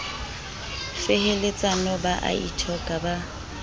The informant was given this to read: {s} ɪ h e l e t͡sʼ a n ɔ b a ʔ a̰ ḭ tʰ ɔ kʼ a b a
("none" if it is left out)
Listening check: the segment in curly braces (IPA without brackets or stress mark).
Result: f